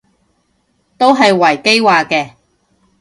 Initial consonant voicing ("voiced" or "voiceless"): voiceless